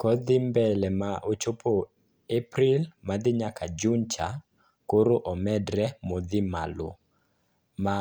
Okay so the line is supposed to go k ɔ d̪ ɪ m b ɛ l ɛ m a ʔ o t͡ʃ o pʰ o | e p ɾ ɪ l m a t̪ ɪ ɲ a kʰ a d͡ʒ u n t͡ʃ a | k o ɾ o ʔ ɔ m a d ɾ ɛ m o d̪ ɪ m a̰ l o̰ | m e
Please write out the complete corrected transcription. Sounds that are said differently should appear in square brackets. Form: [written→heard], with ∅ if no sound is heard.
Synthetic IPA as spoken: k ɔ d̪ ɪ m b ɛ l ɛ m a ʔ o t͡ʃ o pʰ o | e p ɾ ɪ l m a [t̪→d̪] ɪ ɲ a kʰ a d͡ʒ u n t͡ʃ a | k o ɾ o ʔ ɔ m [a→ɛ] d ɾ ɛ m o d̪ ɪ m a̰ l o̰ | m [e→a]